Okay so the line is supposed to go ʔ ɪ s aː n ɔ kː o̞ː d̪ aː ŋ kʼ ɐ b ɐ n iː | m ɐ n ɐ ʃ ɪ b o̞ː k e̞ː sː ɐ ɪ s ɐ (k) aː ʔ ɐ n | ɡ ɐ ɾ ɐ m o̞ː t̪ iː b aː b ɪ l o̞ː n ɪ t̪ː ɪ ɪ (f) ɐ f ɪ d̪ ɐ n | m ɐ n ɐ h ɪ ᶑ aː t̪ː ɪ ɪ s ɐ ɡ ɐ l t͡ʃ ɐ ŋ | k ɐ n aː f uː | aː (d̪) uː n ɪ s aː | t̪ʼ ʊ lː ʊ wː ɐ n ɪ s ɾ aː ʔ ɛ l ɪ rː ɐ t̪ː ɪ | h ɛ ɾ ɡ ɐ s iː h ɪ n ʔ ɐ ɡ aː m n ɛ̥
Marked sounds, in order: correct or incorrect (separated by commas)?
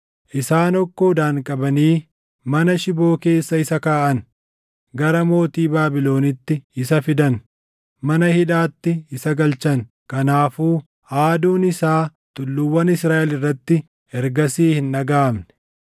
correct, incorrect, correct